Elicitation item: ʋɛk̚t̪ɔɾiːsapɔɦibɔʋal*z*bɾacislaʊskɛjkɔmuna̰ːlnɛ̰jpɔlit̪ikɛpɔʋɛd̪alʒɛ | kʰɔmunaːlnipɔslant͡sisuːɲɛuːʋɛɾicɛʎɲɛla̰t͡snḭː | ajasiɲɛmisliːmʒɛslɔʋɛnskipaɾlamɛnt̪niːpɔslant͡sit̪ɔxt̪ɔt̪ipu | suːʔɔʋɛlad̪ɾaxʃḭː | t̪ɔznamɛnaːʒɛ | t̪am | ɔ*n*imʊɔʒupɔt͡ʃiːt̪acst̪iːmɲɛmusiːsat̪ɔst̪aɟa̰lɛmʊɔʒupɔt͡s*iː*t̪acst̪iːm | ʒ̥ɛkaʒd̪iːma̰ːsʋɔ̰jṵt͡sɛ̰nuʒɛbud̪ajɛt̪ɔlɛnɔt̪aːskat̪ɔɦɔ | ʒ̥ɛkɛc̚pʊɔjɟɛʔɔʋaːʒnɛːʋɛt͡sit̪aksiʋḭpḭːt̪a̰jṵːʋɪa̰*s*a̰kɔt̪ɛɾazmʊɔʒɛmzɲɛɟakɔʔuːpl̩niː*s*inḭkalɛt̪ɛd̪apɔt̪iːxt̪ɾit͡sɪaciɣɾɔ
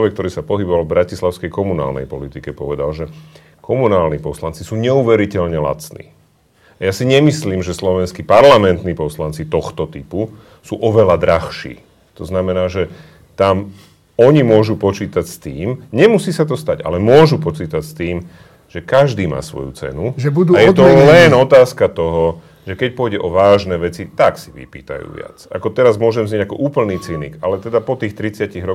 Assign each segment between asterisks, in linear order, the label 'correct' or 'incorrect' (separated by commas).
incorrect, incorrect, correct, incorrect, incorrect